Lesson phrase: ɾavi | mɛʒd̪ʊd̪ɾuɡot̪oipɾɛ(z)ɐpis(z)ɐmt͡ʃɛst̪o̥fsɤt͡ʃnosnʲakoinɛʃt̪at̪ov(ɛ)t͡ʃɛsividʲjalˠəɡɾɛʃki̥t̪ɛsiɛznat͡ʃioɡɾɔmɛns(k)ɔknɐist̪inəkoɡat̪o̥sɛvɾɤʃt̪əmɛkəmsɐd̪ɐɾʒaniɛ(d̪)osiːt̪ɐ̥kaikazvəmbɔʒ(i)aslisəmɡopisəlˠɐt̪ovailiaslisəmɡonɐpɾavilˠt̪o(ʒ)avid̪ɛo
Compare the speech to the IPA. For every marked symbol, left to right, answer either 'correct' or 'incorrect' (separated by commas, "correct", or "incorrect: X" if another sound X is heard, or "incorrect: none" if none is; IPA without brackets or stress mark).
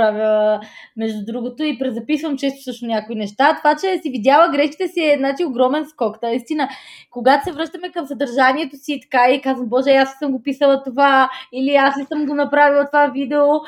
correct, incorrect: v, incorrect: a, correct, incorrect: t̪, incorrect: ɛ, incorrect: v